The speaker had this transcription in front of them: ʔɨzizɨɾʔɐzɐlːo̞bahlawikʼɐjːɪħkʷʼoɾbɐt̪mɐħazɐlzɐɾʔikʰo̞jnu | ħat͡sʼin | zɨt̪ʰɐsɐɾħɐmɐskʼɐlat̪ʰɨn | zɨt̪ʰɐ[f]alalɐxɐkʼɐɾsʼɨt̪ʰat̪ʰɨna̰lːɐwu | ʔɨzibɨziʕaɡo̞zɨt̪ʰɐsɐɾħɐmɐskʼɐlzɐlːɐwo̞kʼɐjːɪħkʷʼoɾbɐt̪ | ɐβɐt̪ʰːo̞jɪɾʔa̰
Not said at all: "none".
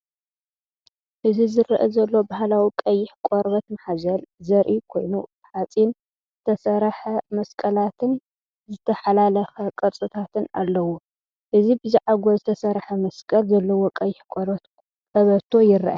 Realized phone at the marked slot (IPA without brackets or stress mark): ħ